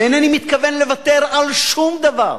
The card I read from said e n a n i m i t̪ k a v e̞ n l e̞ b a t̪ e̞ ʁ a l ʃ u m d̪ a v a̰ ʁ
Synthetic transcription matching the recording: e n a n i m i t̪ k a v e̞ n l e̞ v a t̪ e̞ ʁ a l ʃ u m d̪ a v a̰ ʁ